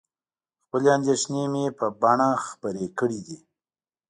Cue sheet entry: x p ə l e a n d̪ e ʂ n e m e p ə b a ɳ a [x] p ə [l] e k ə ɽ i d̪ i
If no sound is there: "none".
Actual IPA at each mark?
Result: x, ɾ

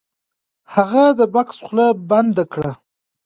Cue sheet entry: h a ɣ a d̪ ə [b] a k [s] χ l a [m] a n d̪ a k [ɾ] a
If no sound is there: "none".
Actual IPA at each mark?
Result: b, s, b, ɽ

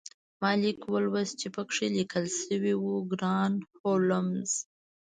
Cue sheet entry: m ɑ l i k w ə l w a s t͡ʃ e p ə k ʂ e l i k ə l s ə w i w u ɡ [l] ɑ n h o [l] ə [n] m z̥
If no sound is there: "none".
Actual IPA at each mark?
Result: ɾ, l, none

